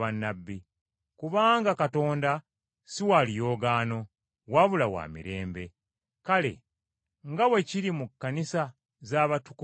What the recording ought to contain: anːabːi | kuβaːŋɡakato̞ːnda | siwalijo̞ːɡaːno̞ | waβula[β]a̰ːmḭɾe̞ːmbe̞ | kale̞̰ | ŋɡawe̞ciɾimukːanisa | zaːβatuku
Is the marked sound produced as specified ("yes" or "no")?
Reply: no